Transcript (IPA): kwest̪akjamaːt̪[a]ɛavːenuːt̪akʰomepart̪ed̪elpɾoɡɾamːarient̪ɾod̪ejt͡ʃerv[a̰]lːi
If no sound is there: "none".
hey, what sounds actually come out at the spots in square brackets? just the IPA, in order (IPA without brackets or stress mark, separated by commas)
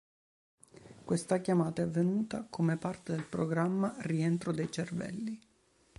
a, ɛ̰